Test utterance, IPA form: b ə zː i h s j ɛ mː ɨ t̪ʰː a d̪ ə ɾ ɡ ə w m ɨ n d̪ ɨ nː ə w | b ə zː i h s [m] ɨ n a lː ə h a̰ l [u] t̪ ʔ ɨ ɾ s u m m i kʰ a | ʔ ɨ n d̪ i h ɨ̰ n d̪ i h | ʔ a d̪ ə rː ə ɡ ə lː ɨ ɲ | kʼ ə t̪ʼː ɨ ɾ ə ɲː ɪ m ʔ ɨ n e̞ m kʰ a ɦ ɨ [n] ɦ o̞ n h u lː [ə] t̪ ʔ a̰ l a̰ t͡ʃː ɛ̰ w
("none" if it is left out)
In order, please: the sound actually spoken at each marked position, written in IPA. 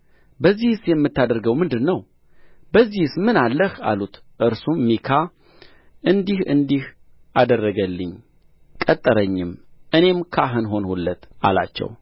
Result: m, u, n, ə

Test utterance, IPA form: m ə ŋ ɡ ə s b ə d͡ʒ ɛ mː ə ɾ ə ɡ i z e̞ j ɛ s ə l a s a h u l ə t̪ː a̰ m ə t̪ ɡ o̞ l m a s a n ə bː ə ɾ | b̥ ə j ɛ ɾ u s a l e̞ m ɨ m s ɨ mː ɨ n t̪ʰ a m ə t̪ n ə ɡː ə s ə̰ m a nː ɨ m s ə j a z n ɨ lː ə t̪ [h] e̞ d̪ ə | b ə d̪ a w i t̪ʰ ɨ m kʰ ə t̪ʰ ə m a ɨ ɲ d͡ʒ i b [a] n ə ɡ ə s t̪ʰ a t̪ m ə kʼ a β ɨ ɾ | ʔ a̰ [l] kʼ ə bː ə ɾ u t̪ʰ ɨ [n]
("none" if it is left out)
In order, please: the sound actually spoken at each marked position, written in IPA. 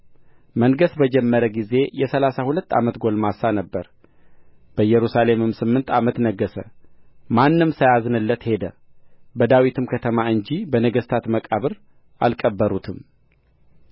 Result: h, ə, l, m

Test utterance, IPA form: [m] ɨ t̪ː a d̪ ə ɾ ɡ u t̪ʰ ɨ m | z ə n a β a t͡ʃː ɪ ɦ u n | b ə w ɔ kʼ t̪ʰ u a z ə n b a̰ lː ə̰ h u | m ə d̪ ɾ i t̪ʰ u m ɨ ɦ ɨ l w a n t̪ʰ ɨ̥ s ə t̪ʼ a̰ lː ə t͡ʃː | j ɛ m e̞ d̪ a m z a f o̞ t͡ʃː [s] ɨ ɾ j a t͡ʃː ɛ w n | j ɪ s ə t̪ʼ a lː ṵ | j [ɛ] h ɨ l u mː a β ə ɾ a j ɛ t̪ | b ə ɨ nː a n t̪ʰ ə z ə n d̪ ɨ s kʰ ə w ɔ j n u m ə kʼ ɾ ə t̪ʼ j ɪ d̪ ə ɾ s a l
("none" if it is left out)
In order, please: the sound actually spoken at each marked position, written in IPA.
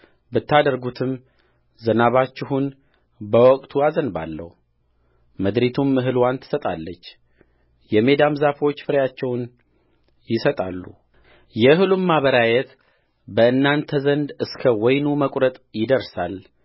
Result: b, f, ɛ

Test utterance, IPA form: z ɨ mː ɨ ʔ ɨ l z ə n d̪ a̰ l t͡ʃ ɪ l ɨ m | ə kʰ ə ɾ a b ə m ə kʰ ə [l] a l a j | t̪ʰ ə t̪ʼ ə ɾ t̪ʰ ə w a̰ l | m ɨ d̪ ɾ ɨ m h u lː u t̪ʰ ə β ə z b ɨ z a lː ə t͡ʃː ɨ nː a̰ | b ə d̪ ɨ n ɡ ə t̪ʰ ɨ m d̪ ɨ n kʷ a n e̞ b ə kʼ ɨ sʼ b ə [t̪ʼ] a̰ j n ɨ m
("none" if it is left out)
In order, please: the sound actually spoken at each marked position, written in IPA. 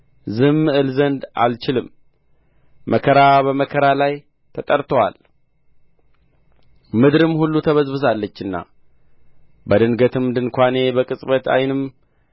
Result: ɾ, t̪

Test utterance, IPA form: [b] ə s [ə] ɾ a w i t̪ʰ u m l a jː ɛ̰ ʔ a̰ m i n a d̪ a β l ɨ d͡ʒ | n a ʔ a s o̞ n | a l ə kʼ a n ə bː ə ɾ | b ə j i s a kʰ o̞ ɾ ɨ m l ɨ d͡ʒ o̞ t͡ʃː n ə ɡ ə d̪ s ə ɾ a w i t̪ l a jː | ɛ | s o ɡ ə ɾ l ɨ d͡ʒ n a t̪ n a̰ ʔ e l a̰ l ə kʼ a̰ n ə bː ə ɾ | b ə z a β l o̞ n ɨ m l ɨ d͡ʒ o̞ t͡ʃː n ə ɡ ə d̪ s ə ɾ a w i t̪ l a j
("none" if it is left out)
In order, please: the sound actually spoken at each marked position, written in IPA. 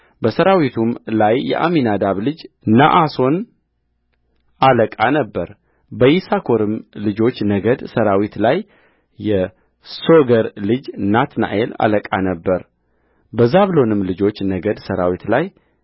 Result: b, ə

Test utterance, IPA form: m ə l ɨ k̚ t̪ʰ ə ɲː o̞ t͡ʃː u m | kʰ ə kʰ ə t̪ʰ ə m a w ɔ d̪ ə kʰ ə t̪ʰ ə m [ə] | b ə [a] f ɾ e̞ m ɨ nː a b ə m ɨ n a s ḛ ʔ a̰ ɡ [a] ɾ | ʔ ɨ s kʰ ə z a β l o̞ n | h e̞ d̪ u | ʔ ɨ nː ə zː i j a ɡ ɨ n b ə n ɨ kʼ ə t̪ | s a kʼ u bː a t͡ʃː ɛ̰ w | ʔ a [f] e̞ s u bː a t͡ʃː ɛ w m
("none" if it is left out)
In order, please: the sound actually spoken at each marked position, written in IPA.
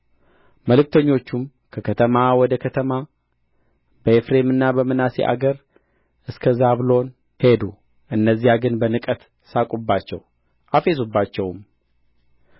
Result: a, e, ə, f

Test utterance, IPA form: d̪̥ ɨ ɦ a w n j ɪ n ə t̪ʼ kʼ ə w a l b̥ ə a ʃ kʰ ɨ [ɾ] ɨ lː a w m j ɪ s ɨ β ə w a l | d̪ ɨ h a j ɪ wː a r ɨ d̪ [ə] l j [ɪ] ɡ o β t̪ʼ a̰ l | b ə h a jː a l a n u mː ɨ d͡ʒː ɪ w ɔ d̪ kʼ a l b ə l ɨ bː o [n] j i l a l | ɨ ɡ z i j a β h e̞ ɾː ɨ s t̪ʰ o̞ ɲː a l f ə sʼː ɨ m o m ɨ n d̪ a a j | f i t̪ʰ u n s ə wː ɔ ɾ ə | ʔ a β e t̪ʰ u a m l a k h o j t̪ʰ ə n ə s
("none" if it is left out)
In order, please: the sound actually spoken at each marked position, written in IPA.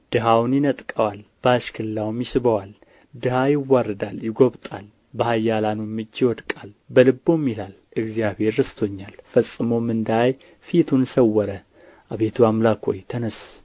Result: l, a, ɪ, m

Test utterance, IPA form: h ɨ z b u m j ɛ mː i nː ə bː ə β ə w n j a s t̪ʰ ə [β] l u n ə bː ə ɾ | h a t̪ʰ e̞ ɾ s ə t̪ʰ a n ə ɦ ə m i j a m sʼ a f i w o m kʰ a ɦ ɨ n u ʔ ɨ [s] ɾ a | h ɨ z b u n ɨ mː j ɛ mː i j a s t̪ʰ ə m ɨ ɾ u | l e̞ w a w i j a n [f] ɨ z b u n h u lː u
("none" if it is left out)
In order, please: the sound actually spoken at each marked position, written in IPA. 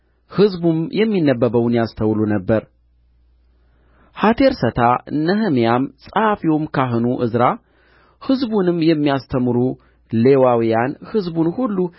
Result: w, z, h

